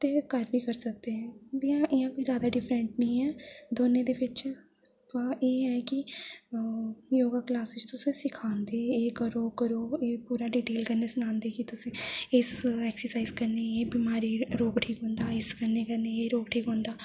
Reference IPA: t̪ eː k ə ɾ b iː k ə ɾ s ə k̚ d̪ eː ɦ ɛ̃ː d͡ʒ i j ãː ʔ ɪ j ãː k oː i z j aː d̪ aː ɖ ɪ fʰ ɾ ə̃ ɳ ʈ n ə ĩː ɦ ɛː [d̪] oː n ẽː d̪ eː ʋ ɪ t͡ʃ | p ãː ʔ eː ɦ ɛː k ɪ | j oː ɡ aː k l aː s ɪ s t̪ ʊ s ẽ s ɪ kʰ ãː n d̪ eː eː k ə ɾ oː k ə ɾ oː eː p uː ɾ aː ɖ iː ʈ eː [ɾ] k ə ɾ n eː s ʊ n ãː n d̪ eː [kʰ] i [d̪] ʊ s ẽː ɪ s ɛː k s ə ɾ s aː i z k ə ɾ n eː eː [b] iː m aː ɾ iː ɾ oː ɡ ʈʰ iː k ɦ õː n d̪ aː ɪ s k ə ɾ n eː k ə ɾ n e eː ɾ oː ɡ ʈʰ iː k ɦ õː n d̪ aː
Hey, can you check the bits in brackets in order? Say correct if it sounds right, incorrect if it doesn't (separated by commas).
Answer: correct, incorrect, incorrect, incorrect, correct